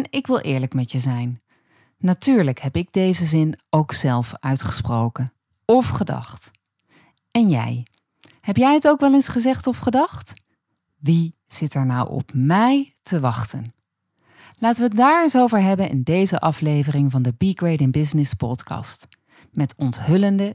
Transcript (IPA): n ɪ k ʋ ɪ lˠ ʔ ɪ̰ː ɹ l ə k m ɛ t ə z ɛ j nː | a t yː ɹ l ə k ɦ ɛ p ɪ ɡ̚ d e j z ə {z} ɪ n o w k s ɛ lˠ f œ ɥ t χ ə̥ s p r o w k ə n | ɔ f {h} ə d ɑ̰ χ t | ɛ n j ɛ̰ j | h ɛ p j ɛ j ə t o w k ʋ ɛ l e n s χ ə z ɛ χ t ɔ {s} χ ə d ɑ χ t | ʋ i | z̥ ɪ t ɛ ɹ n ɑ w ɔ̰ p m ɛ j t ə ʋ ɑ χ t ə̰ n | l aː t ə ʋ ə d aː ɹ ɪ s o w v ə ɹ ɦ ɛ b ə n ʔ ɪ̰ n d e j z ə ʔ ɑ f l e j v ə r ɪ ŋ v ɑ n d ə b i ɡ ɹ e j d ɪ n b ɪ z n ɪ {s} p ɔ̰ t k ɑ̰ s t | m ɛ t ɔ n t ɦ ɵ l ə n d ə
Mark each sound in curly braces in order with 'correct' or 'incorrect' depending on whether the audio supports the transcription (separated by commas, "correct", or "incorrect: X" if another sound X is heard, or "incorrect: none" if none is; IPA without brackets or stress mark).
correct, incorrect: χ, incorrect: f, correct